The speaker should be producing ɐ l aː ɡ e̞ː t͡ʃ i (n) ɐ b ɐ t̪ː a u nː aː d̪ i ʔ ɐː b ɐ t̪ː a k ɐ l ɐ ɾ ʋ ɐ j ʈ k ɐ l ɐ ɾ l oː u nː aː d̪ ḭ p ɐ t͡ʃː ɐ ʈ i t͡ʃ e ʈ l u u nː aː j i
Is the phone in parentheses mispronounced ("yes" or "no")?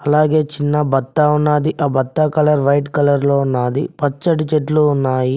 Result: yes